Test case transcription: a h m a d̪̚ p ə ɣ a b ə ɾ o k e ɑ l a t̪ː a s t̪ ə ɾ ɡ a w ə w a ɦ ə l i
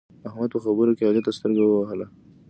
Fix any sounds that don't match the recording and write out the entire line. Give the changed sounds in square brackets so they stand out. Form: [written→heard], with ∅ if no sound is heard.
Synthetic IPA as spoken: a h m a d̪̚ p ə [ɣ→x] a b ə ɾ o k e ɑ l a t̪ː a s t̪ ə ɾ ɡ a w ə w a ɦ ə l [i→a]